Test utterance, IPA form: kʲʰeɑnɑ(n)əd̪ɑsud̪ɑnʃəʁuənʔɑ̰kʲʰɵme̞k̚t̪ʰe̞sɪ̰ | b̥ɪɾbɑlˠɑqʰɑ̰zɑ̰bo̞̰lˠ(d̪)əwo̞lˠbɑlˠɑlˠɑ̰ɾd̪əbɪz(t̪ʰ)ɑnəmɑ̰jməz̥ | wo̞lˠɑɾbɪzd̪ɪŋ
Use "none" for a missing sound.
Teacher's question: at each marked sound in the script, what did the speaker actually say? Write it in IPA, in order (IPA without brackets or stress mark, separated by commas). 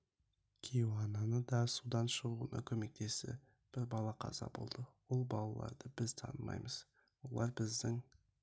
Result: n, d̪, t̪ʰ